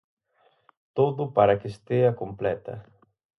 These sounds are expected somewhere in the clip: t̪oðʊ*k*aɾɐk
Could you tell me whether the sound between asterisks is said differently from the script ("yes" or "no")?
yes